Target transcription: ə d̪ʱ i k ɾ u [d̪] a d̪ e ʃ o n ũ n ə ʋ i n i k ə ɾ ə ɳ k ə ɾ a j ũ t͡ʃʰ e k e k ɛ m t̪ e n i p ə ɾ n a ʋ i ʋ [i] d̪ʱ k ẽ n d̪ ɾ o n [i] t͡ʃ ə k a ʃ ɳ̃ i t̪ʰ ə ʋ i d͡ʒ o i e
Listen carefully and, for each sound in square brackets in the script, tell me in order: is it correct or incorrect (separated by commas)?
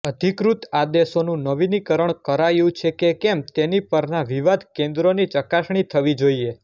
incorrect, incorrect, correct